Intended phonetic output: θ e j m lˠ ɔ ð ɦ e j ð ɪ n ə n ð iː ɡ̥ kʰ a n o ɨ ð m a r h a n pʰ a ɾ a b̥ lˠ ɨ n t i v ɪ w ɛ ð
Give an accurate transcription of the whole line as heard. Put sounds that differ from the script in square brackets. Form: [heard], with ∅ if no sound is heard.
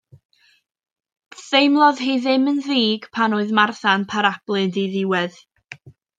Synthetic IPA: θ e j m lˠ ɔ ð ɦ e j ð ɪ [m] ə n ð iː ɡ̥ [pʰ] a n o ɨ ð m a r [θ] a n pʰ a ɾ a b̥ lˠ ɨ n [d] i [ð] ɪ w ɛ ð